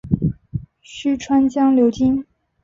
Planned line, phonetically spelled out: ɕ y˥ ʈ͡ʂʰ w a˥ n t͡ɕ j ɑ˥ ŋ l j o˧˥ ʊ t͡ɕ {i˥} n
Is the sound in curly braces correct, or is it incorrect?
correct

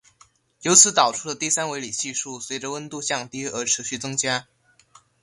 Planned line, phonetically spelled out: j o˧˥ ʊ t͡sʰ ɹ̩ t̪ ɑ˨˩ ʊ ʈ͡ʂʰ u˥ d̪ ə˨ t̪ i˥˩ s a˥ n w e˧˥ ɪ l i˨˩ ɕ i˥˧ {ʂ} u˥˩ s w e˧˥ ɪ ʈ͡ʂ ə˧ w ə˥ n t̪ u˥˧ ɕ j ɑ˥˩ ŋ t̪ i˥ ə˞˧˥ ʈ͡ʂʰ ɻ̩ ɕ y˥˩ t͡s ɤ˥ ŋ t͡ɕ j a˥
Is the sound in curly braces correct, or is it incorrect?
correct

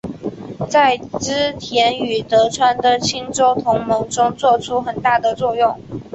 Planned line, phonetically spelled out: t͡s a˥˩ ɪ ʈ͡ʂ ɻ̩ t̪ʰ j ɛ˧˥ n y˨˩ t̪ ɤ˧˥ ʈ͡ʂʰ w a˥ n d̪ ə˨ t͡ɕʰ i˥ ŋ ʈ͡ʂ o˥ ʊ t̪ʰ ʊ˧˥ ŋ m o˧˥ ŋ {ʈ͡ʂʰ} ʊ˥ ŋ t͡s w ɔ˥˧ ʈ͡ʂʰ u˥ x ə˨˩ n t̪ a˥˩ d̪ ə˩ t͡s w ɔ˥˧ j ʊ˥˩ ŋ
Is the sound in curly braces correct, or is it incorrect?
incorrect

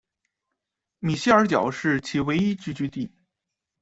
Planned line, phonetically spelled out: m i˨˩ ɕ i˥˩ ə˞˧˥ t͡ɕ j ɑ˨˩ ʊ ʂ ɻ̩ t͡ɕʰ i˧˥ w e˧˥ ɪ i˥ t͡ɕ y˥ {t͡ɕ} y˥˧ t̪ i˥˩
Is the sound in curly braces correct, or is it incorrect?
correct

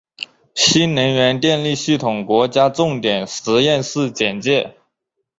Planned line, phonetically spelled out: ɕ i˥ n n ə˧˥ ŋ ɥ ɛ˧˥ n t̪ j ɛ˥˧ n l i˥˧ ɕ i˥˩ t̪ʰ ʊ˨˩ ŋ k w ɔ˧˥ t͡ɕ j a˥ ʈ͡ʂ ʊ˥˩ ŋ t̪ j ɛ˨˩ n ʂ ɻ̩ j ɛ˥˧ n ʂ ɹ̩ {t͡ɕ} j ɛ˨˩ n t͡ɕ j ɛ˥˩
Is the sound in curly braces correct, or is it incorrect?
correct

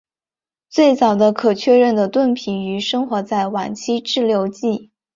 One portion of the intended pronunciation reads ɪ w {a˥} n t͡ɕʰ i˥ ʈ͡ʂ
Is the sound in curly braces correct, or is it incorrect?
incorrect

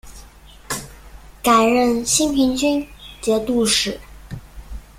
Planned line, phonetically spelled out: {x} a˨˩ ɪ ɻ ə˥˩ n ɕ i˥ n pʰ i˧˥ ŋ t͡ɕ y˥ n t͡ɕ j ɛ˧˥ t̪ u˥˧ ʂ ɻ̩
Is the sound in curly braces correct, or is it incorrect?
incorrect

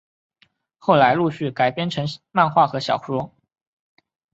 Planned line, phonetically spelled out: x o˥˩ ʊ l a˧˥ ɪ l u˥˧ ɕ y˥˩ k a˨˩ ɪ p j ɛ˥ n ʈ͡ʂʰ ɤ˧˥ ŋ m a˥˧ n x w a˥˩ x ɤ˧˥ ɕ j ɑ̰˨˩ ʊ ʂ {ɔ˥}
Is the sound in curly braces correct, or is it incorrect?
correct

